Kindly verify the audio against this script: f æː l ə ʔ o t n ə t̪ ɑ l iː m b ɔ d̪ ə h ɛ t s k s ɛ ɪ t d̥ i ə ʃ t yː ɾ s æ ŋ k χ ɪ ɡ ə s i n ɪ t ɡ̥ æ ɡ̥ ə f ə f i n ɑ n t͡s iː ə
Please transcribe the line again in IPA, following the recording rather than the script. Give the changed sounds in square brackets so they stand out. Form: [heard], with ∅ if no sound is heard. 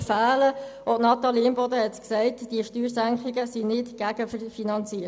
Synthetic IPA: f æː l ə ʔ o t n [ɑ] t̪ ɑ l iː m b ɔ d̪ ə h ɛ t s k s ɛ ɪ t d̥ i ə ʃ t yː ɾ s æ ŋ k χ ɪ ɡ ə s i n ɪ t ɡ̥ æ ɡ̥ ə f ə f i n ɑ n t͡s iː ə